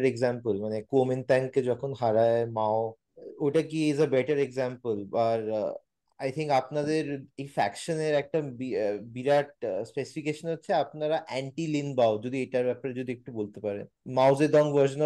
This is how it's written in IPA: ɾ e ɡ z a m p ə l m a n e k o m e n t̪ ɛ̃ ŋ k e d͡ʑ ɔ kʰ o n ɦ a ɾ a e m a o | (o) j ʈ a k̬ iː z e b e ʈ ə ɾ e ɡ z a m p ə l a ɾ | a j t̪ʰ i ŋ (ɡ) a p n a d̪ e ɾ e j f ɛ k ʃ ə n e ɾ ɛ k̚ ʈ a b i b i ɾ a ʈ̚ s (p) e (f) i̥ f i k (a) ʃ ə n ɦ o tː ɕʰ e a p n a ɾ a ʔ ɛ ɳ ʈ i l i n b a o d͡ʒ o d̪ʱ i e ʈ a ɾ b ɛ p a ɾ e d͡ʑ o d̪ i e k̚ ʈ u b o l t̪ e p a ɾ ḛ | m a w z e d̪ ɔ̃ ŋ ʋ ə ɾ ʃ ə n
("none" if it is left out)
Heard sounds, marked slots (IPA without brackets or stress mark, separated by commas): o, k, p, s, e